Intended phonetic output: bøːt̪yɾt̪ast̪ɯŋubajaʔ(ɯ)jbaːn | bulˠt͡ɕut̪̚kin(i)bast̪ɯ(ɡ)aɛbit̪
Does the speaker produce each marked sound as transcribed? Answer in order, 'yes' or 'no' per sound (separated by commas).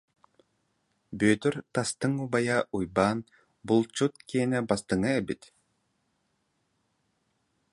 no, no, no